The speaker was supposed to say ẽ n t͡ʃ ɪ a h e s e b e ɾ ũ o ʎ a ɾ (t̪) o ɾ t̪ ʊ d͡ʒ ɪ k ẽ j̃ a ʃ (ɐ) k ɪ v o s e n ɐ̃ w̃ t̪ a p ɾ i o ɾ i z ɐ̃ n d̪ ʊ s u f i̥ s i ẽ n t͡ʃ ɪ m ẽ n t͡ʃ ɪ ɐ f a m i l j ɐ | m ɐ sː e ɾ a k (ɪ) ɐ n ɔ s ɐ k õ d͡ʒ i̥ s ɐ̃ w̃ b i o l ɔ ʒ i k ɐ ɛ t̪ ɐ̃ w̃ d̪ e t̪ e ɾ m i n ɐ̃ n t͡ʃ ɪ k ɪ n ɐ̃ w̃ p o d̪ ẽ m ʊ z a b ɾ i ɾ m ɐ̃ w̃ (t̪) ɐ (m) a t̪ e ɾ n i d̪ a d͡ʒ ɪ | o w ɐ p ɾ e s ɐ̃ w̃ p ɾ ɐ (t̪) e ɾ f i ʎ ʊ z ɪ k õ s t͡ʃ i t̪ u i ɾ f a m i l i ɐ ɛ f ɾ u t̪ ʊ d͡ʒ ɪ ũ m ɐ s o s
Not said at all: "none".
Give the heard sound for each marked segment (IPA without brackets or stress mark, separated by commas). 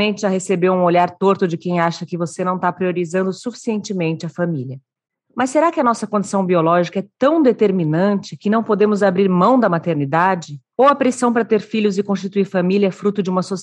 t̪, ɐ, ɪ, d̪, m, t̪